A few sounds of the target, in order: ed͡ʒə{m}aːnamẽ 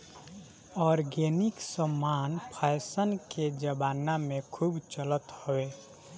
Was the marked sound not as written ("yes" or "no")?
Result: yes